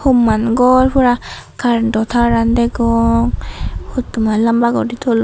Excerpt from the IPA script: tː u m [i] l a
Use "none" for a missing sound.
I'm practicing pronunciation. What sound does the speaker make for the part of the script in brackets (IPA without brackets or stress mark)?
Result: a